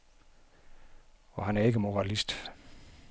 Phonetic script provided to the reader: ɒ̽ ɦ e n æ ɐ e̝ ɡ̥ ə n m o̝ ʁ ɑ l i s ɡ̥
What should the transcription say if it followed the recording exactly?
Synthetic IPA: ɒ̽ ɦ æ n æ ɐ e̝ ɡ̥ ə m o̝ ʁ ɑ l i s d̥

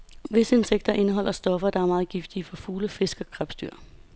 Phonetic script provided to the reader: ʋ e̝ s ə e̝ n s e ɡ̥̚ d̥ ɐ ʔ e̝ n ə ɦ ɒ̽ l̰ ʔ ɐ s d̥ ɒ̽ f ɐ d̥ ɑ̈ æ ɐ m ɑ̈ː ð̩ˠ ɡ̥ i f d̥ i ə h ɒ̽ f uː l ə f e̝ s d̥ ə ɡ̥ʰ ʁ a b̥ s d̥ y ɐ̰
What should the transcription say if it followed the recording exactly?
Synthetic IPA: ʋ e̝ s ə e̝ n s e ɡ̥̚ d̥ ɐ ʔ e̝ n ə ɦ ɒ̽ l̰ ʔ ɐ s d̥ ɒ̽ f ɐ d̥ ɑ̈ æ ɐ m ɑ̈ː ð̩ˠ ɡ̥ i f d̥ i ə f ɒ̽ f uː l ə f e̝ s ɡ̥ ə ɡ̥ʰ ʁ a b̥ s d̥ y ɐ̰

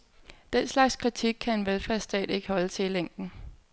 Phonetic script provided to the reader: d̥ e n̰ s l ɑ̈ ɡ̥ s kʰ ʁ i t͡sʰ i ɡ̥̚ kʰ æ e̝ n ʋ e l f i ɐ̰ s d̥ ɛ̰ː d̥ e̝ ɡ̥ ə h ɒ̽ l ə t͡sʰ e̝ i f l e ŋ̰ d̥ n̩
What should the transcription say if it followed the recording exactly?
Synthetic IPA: d̥ e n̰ s l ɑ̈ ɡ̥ s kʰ ʁ i t͡sʰ i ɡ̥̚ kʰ æ e̝ n ʋ e l f æ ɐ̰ s d̥ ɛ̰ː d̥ e̝ ɡ̥ ə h ɒ̽ l ə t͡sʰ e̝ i l e ŋ̰ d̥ n̩

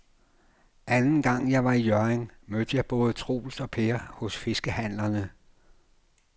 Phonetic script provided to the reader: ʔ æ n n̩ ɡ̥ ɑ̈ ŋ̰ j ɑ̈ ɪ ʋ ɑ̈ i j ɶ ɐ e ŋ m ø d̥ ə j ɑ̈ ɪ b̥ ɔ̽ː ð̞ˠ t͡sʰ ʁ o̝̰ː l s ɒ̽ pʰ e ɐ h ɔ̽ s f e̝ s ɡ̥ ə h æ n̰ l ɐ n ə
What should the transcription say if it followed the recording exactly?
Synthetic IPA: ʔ æ n n̩ ɡ̥ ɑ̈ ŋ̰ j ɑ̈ ɪ ʋ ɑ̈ i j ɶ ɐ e ŋ m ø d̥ ə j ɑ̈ ɪ b̥ ɔ̽ː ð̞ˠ t͡sʰ ʁ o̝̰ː l s ɒ̽ pʰ e ɐ h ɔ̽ s f e̝ s ɡ̥ ə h æ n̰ l ɐ n ə

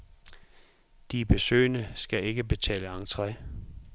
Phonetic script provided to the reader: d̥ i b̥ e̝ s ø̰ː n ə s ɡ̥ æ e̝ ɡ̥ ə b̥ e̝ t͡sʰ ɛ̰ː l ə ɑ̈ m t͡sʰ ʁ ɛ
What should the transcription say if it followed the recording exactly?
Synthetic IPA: d̥ i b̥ e̝ s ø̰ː n ə s ɡ̥ æ e̝ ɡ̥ ə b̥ e̝ t͡sʰ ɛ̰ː l ə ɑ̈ ŋ t͡sʰ ʁ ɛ

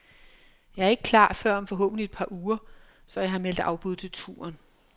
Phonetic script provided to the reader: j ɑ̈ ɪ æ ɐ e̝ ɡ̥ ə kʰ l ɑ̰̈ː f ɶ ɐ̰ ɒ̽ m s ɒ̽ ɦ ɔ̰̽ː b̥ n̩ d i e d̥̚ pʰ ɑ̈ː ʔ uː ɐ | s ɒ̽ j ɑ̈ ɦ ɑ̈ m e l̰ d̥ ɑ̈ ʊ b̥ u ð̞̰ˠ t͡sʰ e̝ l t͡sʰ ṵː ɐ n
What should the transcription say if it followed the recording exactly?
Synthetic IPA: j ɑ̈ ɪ æ ɐ e̝ ɡ̥ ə kʰ l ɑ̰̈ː f ɶ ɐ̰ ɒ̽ m f ɒ̽ ɦ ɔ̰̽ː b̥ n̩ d i e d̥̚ pʰ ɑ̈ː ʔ uː ɐ | s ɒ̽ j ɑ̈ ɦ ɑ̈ m e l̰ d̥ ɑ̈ ʊ b̥ u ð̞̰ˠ t͡sʰ e̝ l t͡sʰ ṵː ɐ n

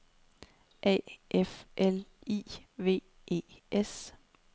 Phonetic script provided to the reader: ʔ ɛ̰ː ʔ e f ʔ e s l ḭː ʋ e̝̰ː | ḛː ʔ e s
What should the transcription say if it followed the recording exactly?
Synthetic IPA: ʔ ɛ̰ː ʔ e f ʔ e l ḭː ʋ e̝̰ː | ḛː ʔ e s

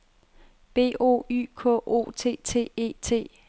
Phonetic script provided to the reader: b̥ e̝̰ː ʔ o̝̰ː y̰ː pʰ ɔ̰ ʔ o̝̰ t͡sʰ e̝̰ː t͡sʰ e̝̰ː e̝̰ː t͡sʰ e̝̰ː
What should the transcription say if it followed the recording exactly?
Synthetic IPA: b̥ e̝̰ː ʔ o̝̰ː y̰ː kʰ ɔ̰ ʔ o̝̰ t͡sʰ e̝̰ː t͡sʰ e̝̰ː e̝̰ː t͡sʰ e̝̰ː

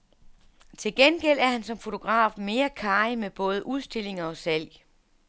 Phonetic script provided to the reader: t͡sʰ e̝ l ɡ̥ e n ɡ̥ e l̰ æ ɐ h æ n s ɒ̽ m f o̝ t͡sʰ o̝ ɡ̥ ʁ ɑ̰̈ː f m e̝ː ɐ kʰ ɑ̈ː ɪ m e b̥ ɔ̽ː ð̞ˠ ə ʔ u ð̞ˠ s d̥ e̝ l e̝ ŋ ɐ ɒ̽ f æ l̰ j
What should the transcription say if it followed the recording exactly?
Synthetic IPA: t͡sʰ e̝ l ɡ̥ e n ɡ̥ e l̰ æ ɐ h æ n s ɒ̽ m f o̝ t͡sʰ o̝ ɡ̥ ʁ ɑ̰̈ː f m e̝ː ɐ kʰ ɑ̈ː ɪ m e b̥ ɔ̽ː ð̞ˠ ə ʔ u ð̞ˠ s d̥ e̝ l e̝ ŋ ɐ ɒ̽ s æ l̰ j

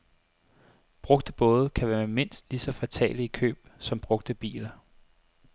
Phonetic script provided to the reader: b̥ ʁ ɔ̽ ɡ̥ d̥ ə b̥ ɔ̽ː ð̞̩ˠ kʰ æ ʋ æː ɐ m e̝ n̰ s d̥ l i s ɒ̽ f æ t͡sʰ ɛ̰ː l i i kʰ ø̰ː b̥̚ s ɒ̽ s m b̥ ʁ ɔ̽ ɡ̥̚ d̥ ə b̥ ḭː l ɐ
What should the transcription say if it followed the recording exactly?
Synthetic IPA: b̥ ʁ ɔ̽ ɡ̥ d̥ ə b̥ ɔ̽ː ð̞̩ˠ kʰ æ ʋ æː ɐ m e̝ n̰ s d̥ l i s ɒ̽ f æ t͡sʰ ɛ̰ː l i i kʰ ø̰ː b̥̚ s ɒ̽ m b̥ ʁ ɔ̽ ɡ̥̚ d̥ ə b̥ ḭː l ɐ

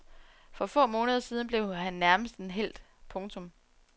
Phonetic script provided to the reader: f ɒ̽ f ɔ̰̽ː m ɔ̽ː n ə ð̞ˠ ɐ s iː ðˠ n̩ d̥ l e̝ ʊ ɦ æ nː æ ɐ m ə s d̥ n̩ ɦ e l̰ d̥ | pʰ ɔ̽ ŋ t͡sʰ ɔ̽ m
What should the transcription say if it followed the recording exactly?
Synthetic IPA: f ɒ̽ f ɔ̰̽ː m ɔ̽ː n ə ð̞ˠ ɐ s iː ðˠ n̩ b̥ l e̝ ʊ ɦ æ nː æ ɐ m ə s d̥ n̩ ɦ e l̰ d̥ | pʰ ɔ̽ ŋ t͡sʰ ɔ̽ m

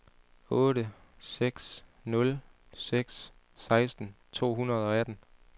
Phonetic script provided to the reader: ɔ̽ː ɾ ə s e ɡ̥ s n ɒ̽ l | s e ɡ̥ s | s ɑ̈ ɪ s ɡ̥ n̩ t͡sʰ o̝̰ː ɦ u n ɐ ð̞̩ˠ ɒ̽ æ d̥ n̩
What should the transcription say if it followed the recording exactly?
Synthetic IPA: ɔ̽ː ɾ ə s e ɡ̥ s n ɔ̽ l | s e ɡ̥ s | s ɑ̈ ɪ s d̥ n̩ t͡sʰ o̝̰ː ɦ u n ɐ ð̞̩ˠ ɒ̽ æ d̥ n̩

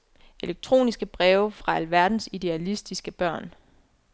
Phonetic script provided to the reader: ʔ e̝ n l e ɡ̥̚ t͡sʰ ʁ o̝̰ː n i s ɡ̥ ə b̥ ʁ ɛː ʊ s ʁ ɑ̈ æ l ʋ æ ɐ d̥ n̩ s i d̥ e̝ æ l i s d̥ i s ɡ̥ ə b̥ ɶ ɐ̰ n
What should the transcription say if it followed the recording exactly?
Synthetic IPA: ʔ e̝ l e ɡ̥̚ t͡sʰ ʁ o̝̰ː n i s ɡ̥ ə b̥ ʁ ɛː ʊ f ʁ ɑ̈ æ l ʋ æ ɐ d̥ n̩ s i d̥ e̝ æ l i s d̥ i s ɡ̥ ə b̥ ɶ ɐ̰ n

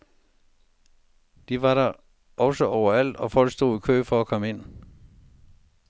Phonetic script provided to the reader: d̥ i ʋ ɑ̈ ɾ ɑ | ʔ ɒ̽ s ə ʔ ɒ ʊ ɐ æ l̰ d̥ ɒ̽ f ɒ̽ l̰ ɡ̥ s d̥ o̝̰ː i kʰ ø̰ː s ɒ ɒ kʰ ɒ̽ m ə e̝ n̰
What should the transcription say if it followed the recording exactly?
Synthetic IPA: d̥ i ʋ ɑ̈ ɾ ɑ | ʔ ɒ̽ s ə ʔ ɒ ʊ ɐ æ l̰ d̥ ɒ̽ f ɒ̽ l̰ ɡ̥ s d̥ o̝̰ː i kʰ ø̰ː f ɒ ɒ kʰ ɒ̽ m ə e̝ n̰

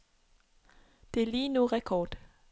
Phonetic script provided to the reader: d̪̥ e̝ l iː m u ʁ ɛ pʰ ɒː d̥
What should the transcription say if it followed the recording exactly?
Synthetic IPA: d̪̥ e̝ l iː n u ʁ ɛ kʰ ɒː d̥

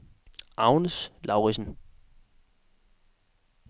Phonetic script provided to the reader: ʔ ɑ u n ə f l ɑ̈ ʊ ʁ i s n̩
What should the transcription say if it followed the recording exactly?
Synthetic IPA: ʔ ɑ ʊ n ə s l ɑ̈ ʊ ʁ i s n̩

